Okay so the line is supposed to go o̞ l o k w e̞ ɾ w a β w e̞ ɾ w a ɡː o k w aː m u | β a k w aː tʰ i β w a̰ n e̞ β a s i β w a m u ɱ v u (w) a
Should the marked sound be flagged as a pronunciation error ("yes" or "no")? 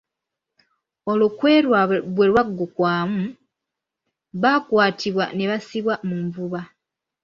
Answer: yes